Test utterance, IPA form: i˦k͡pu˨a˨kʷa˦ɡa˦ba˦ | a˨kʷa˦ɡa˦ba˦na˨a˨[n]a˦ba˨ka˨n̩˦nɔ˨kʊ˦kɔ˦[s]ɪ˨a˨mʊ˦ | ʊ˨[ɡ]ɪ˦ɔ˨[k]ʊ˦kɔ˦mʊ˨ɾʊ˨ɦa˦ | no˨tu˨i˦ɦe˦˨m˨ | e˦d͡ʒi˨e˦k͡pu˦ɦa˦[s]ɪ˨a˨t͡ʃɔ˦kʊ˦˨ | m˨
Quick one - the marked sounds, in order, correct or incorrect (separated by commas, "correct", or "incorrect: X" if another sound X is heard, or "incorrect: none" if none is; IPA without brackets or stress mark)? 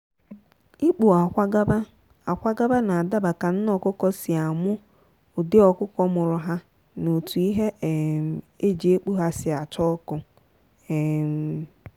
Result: incorrect: d, correct, incorrect: d, correct, correct